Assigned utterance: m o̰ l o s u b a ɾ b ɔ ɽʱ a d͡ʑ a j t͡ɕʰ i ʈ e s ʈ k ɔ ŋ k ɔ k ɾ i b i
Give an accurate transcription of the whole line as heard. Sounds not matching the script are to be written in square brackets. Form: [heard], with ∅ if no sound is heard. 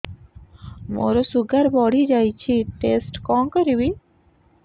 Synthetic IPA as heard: m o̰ [ɾ] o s u [ɡ] a ɾ b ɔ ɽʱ [i] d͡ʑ a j t͡ɕʰ i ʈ e s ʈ k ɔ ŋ k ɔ [∅] ɾ i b i

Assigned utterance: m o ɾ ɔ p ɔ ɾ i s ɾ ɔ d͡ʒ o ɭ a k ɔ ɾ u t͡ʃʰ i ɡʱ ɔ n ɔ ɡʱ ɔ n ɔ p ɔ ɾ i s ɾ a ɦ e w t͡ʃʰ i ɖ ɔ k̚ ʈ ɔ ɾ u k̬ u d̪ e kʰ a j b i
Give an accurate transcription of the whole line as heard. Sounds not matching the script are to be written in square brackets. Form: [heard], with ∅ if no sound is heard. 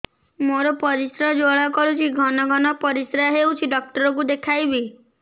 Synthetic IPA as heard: m o ɾ ɔ p ɔ ɾ i s ɾ ɔ d͡ʒ o ɭ a k ɔ ɾ u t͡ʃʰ i ɡʱ ɔ n ɔ ɡʱ ɔ n ɔ p ɔ ɾ i s ɾ a ɦ e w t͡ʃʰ i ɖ ɔ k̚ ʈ ɔ ɾ [ɔ] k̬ u d̪ e kʰ a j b i

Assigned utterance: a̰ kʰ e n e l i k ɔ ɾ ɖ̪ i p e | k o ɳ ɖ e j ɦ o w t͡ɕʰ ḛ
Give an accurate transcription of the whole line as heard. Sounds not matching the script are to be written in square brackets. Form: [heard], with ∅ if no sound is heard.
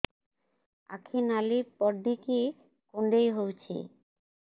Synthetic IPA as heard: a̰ kʰ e n [a] l i [p] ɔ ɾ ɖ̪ i [k] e | k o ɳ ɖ e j ɦ o w t͡ɕʰ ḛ

